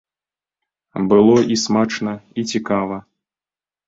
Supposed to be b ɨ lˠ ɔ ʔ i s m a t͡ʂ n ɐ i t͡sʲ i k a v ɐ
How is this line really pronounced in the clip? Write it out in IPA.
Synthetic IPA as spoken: b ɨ lˠ ɔ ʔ i s m a t͡ʂ n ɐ i t͡sʲ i k a v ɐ